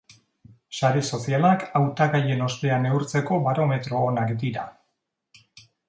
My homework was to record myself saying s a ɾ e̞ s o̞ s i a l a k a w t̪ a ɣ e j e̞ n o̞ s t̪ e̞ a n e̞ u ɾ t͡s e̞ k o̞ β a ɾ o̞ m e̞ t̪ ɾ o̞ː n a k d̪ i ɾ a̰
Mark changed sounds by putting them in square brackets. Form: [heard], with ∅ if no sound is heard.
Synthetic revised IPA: s a ɾ e̞ s o̞ s i a l a k a w t̪ a ɣ [a] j e̞ n o̞ s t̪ e̞ a n e̞ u ɾ t͡s e̞ k o̞ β a ɾ o̞ m e̞ t̪ ɾ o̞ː n a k d̪ i ɾ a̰